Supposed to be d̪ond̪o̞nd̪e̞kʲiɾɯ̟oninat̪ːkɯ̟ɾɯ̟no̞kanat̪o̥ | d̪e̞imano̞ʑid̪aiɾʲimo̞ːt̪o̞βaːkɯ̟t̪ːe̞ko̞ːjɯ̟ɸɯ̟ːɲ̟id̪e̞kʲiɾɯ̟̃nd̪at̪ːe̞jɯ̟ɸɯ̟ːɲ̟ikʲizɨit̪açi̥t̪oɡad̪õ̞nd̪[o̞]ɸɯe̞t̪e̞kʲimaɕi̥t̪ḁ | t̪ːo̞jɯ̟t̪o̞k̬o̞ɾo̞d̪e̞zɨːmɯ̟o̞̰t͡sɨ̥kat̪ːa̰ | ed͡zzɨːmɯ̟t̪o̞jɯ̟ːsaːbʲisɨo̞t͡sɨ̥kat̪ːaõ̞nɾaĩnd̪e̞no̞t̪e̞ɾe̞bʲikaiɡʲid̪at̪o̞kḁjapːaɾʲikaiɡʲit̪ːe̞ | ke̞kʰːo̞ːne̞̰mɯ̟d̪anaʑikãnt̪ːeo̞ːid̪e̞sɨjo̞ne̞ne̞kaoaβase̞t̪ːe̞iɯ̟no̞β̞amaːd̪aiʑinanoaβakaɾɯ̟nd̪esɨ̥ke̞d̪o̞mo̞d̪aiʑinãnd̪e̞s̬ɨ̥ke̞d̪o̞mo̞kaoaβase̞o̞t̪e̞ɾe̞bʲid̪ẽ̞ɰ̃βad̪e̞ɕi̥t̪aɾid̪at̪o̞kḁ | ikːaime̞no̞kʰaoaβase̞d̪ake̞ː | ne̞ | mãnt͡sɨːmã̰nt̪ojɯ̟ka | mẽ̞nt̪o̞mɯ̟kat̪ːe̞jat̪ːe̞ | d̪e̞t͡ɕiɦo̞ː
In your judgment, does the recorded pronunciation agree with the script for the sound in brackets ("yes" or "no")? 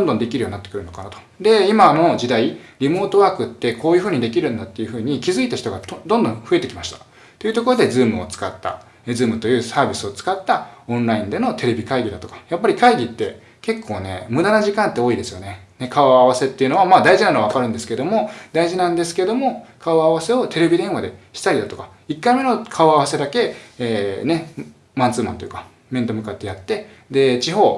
no